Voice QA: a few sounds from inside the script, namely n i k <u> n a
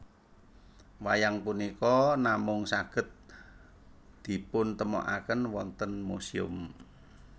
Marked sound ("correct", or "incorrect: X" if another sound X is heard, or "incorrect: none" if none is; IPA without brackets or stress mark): incorrect: ɔ